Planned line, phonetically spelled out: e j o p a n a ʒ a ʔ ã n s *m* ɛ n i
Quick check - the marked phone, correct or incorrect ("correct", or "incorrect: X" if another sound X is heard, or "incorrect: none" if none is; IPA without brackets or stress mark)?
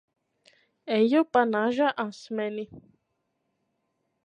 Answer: correct